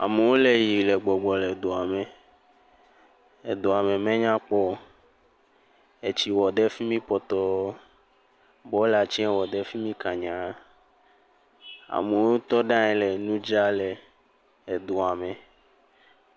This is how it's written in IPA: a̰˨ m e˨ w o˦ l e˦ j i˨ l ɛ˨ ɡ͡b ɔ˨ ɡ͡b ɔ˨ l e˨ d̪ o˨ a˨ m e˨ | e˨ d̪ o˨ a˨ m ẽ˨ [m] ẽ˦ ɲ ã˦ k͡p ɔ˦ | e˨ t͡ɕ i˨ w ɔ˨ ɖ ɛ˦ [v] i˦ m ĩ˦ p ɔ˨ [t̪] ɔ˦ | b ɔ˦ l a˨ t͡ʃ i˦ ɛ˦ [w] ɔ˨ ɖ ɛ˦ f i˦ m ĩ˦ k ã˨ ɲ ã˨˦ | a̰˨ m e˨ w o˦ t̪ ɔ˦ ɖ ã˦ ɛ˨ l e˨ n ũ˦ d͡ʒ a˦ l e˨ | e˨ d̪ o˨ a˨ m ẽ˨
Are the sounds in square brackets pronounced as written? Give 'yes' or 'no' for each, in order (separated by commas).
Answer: yes, no, yes, yes